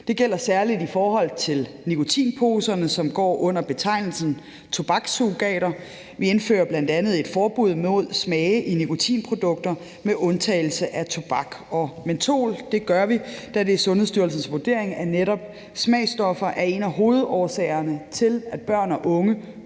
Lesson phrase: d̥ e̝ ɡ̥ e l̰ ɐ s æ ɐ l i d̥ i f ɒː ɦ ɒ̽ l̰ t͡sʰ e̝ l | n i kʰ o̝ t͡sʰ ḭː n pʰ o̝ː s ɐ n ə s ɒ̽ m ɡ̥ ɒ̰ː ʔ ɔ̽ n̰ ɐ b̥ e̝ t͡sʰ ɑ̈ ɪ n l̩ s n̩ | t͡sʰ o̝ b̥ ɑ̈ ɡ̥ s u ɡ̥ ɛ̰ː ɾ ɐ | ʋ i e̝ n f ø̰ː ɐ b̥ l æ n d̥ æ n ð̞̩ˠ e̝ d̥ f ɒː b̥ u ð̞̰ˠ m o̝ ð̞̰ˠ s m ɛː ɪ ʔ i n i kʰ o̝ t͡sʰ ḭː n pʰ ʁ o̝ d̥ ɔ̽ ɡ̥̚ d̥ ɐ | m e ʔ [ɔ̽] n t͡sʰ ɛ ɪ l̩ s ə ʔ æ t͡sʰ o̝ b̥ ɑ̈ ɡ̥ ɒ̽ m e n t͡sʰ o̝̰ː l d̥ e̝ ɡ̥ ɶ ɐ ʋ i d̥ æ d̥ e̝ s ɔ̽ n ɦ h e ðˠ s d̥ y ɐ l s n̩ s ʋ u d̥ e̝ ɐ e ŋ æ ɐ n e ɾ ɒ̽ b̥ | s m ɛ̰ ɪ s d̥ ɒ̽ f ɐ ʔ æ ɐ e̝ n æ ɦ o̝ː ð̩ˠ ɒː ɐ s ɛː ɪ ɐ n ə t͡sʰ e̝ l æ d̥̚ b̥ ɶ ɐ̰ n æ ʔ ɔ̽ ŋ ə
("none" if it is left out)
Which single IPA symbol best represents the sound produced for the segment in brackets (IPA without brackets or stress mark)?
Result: ɔ̽